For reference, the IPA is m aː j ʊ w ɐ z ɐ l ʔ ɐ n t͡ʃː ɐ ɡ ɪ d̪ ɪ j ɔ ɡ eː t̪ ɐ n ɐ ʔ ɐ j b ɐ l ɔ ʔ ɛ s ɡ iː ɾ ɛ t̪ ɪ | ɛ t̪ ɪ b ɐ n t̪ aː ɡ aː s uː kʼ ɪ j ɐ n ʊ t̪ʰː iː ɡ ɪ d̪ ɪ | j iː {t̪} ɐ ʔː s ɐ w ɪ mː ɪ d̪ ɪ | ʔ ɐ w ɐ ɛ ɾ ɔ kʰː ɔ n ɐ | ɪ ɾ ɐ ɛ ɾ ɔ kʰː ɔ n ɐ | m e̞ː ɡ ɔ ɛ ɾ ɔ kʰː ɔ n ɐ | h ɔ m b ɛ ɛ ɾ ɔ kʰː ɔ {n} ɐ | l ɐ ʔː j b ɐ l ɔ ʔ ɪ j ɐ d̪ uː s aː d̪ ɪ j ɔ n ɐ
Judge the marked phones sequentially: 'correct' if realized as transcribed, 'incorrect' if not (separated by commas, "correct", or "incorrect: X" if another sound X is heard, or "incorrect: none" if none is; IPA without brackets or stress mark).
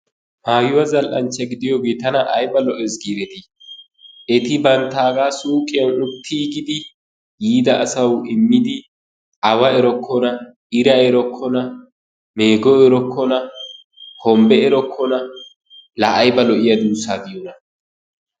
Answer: incorrect: d̪, correct